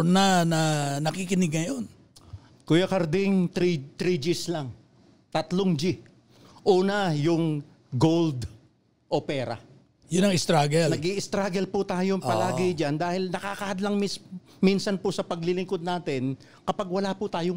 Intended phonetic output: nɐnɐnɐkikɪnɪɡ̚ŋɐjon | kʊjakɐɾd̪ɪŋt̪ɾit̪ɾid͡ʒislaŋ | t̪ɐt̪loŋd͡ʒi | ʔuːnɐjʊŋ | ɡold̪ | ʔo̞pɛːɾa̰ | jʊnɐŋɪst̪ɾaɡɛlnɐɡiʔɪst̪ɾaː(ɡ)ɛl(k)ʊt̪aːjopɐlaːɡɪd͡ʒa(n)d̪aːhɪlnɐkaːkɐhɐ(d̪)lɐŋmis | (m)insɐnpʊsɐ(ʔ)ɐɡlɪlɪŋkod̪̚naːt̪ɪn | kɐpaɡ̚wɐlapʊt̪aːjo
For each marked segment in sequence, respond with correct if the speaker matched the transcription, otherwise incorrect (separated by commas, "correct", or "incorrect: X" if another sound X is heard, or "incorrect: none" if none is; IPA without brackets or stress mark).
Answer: correct, incorrect: p, correct, correct, correct, incorrect: p